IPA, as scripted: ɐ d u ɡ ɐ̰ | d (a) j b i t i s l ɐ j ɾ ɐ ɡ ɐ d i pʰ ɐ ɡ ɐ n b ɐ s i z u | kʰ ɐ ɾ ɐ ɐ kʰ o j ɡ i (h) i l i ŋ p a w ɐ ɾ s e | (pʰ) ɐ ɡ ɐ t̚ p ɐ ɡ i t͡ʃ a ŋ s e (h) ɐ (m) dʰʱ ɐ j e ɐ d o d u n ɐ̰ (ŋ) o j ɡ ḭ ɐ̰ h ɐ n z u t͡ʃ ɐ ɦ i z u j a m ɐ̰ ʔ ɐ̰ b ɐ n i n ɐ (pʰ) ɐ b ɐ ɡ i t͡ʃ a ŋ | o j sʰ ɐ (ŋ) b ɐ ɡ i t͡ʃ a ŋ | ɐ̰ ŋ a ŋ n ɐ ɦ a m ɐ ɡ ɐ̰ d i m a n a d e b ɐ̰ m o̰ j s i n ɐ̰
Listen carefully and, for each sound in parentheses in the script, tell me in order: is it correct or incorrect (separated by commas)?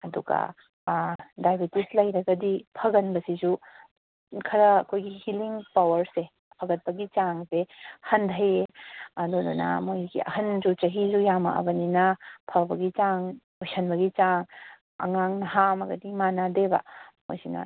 correct, correct, correct, correct, incorrect, incorrect, correct, incorrect